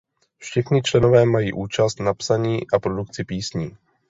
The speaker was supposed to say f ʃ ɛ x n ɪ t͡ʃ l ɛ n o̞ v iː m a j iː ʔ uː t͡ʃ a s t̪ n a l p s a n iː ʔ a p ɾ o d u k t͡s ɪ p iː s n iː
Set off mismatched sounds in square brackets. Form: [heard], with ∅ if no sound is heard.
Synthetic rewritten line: f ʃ ɛ x [ɲ] ɪ t͡ʃ l ɛ n o̞ v [ɛː] m a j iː ʔ uː t͡ʃ a s t̪ n a [∅] p s a [ɲ] iː ʔ a p ɾ o d u k t͡s ɪ p iː s [ɲ] iː

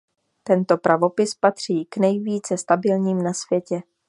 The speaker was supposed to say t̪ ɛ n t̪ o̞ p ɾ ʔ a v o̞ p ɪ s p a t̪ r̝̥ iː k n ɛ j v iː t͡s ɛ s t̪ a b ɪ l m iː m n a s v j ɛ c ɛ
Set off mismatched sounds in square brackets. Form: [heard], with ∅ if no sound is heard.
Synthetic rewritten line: t̪ ɛ n t̪ o̞ p ɾ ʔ a v o̞ p ɪ s p a t̪ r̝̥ iː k n ɛ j v iː t͡s ɛ s t̪ a b ɪ l [ɲ] iː m n a s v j ɛ c ɛ

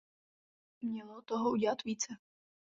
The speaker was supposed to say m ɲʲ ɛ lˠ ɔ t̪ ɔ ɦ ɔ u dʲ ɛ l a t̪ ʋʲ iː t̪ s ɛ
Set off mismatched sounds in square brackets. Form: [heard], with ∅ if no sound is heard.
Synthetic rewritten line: m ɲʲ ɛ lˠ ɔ t̪ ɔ ɦ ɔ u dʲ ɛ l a t̪ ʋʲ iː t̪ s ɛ

